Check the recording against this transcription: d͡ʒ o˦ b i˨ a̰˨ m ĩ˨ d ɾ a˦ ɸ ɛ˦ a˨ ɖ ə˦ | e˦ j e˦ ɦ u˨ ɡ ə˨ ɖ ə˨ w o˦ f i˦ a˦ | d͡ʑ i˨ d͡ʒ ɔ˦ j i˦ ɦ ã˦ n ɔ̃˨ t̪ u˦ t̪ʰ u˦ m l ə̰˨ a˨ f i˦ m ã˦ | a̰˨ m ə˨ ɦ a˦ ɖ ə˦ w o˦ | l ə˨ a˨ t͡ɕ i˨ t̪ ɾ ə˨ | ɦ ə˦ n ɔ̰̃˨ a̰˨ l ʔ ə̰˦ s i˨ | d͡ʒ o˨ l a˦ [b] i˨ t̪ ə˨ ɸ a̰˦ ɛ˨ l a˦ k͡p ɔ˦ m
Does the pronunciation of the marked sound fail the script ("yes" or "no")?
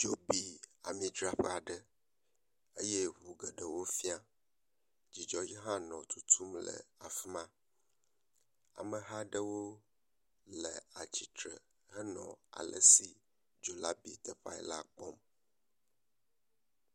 no